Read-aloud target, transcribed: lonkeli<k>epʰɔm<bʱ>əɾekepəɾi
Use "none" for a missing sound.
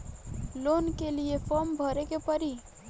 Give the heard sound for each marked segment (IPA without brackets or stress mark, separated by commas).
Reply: none, bʱ